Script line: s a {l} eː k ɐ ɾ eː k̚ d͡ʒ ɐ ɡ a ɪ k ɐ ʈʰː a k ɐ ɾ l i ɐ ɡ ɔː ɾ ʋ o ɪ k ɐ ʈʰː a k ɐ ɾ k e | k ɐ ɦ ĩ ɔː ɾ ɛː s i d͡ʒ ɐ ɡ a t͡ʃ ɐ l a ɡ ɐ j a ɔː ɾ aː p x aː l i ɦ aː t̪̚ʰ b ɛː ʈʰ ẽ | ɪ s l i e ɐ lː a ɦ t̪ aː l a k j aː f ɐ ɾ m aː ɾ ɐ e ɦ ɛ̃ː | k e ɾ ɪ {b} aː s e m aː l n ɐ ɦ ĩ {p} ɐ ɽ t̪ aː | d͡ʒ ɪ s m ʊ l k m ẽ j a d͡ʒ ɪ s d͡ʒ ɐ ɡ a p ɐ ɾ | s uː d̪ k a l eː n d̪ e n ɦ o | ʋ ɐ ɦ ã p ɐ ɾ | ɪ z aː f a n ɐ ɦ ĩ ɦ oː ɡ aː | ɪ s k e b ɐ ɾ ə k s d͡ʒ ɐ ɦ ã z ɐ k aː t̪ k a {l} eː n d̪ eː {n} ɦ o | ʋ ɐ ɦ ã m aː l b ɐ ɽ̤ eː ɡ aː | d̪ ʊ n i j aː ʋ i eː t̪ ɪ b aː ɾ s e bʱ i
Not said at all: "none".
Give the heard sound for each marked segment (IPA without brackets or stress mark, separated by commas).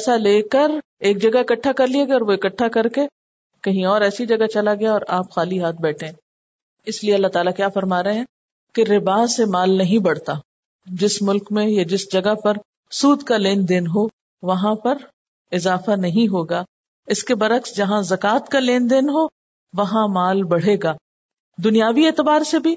l, b, b, l, n